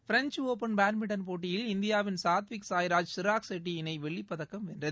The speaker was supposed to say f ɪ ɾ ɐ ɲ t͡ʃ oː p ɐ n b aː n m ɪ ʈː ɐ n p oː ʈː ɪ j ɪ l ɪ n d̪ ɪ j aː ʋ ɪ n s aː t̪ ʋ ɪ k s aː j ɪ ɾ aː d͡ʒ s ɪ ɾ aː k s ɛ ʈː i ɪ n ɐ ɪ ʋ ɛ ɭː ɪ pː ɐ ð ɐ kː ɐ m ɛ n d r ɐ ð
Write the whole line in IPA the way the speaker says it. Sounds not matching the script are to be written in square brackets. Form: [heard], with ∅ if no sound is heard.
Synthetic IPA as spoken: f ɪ ɾ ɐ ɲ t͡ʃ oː p ɐ n b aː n m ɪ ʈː ɐ n p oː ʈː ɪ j ɪ l ɪ n d̪ ɪ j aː ʋ ɪ n s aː t̪ ʋ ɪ k s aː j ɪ ɾ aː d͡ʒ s ɪ ɾ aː k s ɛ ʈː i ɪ n ɐ ɪ ʋ ɛ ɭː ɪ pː ɐ ð ɐ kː ɐ m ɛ n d r ɐ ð